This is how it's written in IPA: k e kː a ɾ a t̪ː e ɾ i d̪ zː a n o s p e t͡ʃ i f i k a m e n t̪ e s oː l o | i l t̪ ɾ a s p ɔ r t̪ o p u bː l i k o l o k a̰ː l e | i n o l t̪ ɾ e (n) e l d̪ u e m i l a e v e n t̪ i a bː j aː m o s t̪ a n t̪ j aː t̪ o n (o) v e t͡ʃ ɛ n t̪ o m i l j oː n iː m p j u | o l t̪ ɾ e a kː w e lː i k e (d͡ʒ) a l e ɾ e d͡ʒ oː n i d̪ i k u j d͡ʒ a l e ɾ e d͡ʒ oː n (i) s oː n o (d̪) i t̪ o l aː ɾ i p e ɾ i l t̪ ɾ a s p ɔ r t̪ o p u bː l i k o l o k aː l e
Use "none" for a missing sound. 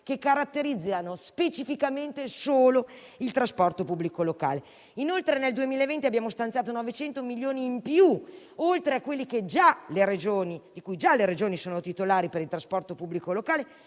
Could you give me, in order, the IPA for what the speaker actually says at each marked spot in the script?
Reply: n, ɔ, d͡ʒ, i, t̪

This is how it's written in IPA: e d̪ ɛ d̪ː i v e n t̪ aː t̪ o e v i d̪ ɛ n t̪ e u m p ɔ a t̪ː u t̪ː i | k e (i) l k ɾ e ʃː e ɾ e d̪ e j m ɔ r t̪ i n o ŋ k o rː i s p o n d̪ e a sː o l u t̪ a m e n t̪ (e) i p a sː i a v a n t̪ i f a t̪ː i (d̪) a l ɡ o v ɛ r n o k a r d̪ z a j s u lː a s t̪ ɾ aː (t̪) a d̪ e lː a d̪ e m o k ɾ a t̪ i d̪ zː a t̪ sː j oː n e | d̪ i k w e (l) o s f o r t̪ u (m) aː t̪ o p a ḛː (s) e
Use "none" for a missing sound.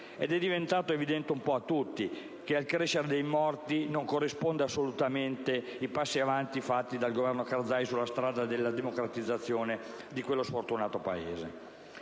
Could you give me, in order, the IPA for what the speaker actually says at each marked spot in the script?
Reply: a, e, d̪, d̪, lː, n, z

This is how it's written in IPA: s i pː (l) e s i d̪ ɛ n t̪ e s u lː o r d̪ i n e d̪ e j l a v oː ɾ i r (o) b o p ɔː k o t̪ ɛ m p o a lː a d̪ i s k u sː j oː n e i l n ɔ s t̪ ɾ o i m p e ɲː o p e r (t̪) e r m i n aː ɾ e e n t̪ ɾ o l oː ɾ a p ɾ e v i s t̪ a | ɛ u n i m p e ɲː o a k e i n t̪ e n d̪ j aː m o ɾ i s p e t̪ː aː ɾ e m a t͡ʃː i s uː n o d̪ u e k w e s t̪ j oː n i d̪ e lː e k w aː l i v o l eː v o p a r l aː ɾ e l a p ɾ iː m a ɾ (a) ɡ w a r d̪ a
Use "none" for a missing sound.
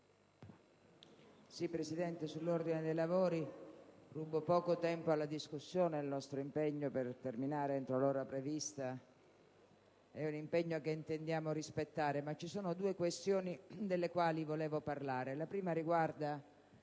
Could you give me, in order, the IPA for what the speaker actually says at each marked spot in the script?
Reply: ɾ, u, t̪, i

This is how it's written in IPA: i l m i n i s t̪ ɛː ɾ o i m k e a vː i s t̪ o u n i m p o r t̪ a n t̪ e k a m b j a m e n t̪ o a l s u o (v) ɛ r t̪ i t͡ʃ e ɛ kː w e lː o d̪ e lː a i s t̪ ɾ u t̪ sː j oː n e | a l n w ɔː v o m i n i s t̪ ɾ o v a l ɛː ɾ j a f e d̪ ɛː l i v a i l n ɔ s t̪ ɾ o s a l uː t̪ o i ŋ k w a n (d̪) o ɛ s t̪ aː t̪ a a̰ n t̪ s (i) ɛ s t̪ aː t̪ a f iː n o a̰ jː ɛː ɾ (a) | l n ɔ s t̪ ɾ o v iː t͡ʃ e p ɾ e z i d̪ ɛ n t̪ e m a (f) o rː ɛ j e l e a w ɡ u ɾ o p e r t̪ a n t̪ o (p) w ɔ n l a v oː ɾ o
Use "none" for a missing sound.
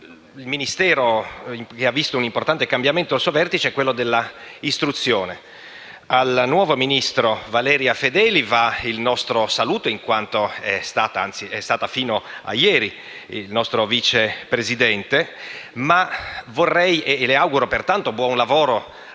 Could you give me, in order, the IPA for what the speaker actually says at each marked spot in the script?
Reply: v, t̪, i, i, v, b

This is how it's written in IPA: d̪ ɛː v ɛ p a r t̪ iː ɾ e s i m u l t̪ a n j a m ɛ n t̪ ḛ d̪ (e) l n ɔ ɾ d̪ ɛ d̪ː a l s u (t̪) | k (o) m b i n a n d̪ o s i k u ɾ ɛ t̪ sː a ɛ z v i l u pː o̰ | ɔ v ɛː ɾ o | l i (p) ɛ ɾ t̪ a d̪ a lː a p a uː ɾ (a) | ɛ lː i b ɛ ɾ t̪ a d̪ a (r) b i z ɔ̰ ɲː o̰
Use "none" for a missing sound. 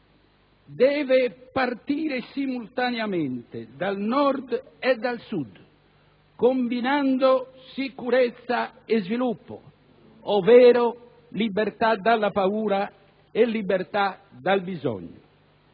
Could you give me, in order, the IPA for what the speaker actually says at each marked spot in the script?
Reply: a, d̪, o, b, a, l

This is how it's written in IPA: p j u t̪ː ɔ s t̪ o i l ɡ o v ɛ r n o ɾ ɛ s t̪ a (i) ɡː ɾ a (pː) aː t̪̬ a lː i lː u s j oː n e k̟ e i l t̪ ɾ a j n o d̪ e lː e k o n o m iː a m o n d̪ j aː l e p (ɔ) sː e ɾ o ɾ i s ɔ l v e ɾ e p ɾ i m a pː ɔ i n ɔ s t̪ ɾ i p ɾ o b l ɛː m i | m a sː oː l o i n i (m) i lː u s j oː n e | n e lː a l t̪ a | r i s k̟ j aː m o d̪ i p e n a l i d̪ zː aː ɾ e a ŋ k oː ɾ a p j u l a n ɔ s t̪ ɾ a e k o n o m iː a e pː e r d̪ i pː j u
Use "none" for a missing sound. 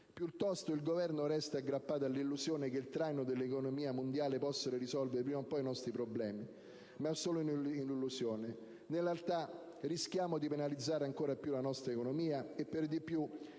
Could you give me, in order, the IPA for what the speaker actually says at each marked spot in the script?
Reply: a, pː, ɔ, n

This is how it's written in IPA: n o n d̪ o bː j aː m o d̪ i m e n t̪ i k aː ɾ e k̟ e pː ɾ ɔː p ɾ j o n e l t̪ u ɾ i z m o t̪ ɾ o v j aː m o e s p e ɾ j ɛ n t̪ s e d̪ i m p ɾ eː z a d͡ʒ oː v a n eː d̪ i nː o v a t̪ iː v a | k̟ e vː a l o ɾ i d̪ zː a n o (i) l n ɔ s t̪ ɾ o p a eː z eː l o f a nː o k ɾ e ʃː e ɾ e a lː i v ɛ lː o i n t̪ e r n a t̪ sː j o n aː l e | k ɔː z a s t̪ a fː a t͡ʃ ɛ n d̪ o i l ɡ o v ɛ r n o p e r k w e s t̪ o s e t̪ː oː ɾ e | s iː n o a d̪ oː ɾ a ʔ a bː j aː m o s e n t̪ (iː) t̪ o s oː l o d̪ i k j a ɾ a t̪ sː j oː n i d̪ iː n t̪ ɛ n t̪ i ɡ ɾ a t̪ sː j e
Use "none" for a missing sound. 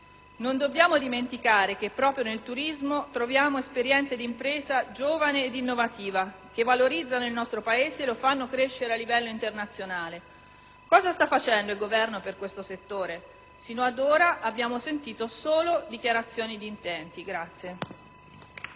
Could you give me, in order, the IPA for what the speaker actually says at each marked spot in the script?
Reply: i, iː

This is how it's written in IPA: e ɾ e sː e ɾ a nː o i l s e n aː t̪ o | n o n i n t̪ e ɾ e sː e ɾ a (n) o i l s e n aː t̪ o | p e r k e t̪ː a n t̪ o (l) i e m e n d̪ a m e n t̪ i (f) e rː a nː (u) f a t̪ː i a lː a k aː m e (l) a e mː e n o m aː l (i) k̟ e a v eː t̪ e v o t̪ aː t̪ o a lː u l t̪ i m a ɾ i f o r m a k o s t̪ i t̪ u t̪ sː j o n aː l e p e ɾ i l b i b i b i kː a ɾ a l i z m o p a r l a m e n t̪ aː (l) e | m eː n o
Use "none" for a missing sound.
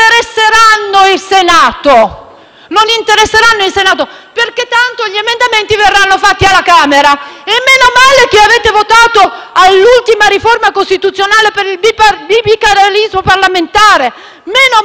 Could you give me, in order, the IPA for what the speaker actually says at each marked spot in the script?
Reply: nː, ʎ, v, o, ɾ, e, ɾ

